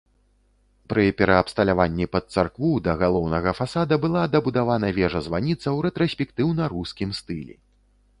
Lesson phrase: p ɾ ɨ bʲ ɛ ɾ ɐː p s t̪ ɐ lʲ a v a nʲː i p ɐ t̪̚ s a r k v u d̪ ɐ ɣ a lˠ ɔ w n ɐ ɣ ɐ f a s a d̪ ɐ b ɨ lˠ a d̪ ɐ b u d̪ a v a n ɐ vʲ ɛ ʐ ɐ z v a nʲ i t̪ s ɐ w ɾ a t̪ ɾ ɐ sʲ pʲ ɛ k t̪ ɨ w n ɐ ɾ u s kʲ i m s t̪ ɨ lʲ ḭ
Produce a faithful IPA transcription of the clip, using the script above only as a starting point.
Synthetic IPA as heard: p ɾ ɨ pʲ ɛ ɾ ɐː p s t̪ ɐ lʲ a v a nʲː i p ɐ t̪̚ s a r k v u d̪ ɐ ɣ a lˠ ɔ w n ɐ ɣ ɐ f a s a d̪ ɐ b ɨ lˠ a d̪ ɐ b u d̪ a v a n ɐ vʲ ɛ ʐ ɐ z v a nʲ i t̪ s ɐ w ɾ ɛ t̪ ɾ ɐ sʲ pʲ ɛ k t̪ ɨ w n ɐ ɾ u s kʲ i m s t̪ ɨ lʲ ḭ